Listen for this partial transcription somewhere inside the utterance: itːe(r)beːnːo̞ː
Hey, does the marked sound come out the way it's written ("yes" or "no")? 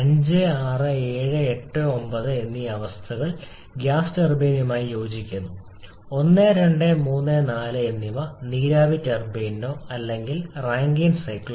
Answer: yes